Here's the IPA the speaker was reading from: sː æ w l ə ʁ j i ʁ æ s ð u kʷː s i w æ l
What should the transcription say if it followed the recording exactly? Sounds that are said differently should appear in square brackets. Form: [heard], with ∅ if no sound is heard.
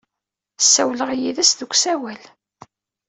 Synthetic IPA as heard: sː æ w l ə ʁ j i [ð] æ s ð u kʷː s [æ] w æ l